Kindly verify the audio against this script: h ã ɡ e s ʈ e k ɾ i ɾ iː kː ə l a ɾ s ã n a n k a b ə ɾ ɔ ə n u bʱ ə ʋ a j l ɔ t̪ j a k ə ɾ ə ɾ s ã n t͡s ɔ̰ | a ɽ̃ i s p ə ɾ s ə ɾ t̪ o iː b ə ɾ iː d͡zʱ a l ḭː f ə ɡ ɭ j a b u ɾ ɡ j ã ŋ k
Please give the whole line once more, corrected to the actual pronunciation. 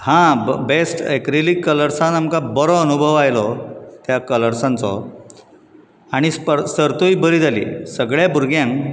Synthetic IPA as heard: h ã b e s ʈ e k ɾ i l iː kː ə l ə ɾ s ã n a m k a b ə ɾ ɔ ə n u bʱ ə ʋ a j l ɔ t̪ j a k ə l ə ɾ s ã n t͡s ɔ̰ | a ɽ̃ i s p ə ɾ s ə ɾ t̪ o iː b ə ɾ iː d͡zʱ a l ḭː s ə ɡ ɭ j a b u ɾ ɡ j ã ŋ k